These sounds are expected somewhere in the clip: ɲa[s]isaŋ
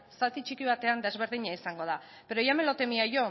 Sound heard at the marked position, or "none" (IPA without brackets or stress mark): none